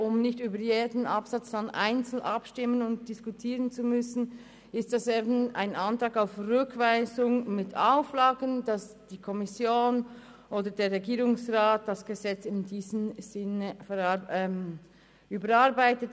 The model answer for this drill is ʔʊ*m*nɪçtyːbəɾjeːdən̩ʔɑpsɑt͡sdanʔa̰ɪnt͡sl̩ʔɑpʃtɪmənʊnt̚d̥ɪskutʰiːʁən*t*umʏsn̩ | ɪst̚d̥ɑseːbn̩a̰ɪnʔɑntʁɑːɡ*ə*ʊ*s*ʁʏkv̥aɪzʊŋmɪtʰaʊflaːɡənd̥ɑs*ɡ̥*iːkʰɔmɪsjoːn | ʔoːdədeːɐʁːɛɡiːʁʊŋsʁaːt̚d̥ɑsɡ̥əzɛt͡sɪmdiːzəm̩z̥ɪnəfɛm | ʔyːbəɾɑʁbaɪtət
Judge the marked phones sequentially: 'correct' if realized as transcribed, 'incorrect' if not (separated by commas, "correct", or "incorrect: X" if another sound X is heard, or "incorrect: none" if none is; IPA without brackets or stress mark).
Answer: correct, incorrect: t͡s, incorrect: a, incorrect: f, incorrect: d̥